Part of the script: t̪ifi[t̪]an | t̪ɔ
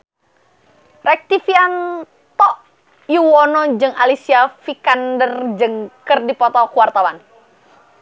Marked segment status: incorrect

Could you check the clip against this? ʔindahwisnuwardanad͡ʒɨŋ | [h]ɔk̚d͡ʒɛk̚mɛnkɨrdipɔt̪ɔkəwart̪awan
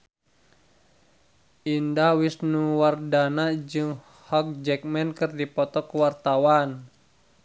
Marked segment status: correct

